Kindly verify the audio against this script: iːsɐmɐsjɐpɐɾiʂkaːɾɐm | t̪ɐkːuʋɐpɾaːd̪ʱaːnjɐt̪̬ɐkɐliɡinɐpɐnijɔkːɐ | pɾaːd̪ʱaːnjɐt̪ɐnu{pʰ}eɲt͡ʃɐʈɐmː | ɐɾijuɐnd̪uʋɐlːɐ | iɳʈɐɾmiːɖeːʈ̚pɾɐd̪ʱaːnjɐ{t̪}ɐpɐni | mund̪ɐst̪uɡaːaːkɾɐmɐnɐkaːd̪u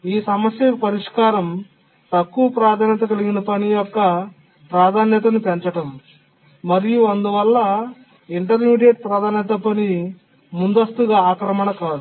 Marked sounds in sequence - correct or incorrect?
incorrect: p, correct

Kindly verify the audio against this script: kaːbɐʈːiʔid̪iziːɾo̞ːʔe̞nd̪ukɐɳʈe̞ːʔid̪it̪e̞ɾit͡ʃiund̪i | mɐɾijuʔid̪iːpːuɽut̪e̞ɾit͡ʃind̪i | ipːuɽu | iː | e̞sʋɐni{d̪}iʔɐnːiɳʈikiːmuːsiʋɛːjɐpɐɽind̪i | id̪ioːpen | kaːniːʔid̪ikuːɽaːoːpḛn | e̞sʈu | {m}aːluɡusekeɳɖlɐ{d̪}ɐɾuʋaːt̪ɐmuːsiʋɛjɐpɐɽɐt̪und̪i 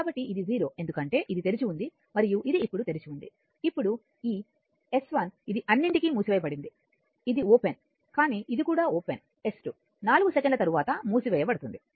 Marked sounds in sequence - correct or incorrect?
correct, incorrect: n, incorrect: t̪

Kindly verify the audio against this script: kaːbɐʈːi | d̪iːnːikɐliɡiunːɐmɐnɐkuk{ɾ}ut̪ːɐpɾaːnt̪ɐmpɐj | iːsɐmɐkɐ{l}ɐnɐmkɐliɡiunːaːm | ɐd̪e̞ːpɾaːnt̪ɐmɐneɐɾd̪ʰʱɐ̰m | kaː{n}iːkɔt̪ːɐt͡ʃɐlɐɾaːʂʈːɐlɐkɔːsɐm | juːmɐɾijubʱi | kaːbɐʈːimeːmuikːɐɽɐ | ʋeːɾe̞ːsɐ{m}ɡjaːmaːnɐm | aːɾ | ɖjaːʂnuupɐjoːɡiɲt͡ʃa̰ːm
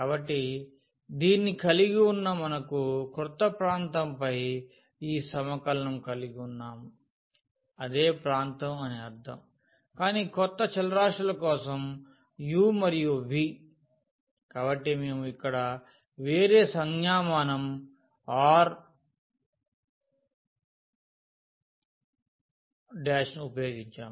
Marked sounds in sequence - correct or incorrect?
correct, correct, correct, incorrect: ŋ

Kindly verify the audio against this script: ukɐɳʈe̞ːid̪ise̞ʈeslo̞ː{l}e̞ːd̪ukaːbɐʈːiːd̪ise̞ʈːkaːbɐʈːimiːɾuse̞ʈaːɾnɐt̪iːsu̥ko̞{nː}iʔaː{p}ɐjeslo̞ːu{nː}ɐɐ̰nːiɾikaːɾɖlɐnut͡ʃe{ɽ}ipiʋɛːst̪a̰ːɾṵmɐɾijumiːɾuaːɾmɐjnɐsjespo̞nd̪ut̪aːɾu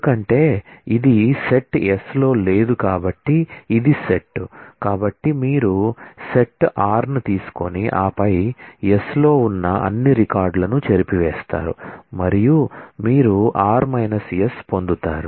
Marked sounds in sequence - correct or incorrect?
correct, incorrect: n, correct, correct, incorrect: ɾ

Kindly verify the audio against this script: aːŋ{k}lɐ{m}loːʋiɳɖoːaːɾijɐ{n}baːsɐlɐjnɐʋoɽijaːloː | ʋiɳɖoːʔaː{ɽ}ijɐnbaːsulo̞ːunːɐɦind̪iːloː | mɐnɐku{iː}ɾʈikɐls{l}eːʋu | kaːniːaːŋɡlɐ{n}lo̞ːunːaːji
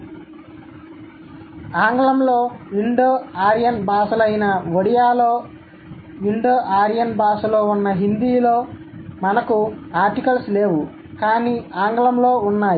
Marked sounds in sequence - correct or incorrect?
incorrect: ɡ, correct, correct, incorrect: ɾ, incorrect: aː, correct, incorrect: m

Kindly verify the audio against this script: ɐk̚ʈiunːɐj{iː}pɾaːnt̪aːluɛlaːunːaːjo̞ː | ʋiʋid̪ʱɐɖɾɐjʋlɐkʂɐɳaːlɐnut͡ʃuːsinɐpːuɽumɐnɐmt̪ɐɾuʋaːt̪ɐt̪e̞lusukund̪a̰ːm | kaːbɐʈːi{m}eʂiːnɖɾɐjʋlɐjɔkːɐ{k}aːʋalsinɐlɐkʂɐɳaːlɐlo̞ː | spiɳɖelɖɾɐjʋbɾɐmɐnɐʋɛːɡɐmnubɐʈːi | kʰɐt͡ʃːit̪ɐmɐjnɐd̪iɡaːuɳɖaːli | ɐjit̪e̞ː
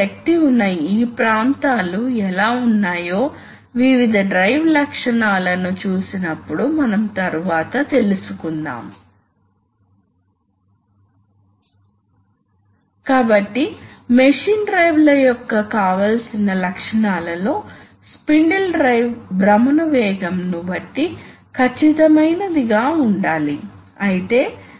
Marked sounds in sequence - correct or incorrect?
correct, correct, correct

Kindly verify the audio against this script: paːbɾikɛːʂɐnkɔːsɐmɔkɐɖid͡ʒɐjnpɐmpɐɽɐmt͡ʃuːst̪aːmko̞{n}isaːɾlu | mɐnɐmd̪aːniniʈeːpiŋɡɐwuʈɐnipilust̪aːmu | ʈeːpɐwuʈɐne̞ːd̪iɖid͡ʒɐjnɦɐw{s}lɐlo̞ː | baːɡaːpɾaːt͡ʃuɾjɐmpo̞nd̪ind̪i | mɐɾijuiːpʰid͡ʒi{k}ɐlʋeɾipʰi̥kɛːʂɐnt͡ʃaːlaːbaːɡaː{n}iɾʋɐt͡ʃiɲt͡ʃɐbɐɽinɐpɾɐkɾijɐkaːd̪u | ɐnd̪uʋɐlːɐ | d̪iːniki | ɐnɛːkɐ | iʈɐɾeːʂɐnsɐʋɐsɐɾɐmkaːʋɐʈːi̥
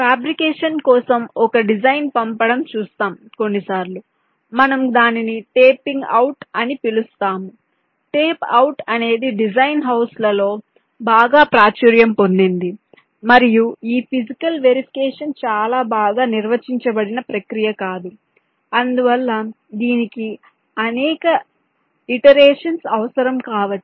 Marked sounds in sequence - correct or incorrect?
incorrect: nː, correct, correct, correct

